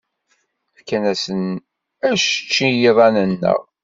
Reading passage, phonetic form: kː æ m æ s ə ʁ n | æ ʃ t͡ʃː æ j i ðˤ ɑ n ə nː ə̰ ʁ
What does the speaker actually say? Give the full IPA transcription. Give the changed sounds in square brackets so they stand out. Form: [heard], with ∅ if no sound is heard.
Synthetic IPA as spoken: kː æ [n] æ s ə [∅] n | æ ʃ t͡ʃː [i] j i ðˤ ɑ n ə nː ə̰ ʁ